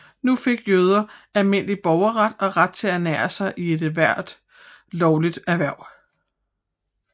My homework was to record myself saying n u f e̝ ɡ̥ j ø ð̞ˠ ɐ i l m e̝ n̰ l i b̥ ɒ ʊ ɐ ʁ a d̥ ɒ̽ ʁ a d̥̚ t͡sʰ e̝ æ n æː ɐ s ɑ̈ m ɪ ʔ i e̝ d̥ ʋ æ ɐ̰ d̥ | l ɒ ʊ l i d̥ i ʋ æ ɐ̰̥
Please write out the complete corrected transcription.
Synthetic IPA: n u f e̝ ɡ̥ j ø ð̞ˠ ɐ æ l m e̝ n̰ l i b̥ ɒ ʊ ɐ ʁ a d̥ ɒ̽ ʁ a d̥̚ t͡sʰ e̝ æ n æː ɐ s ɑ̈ ɪ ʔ i e̝ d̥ ʋ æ ɐ̰ d̥ | l ɒ ʊ l i d̥ æ ʋ æ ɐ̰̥